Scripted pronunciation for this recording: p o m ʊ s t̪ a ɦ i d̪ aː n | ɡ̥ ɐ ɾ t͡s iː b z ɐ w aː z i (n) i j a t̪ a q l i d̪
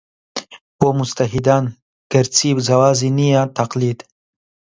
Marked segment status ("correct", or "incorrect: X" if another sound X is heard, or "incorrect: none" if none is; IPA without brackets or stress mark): correct